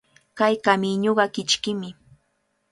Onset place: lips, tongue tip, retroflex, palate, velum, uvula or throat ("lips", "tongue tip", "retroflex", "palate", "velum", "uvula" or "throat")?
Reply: velum